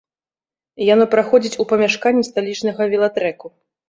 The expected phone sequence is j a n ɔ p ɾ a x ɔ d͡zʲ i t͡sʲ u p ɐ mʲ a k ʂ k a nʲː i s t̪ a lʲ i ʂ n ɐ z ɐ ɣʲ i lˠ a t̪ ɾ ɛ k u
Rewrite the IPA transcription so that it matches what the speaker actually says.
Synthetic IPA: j a n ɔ p ɾ a x ɔ d͡zʲ i t͡sʲ u p ɐ mʲ a ʂ k a nʲː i s t̪ a lʲ i t͡ʂ n ɐ ɣ ɐ vʲ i lˠ a t̪ ɾ ɛ k u